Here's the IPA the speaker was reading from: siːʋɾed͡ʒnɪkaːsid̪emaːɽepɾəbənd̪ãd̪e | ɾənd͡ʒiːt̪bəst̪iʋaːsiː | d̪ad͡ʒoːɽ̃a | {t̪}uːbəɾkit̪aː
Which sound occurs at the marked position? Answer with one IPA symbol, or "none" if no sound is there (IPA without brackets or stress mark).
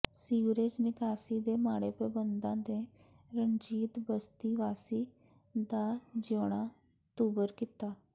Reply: t̪